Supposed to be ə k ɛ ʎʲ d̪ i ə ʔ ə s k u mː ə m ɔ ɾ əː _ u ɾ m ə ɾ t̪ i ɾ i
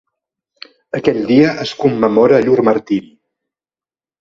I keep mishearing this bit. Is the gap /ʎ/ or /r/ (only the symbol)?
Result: ʎ